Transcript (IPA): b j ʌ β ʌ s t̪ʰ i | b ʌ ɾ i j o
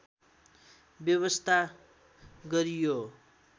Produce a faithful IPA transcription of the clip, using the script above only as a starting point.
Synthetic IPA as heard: b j ʌ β ʌ s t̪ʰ a | ɡ ʌ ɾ i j o